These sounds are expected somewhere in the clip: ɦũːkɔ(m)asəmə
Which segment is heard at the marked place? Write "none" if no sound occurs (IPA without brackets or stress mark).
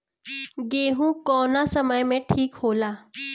n